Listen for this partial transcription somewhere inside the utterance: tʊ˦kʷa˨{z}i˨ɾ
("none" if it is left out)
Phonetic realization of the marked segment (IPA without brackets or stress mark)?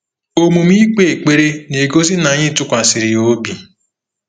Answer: s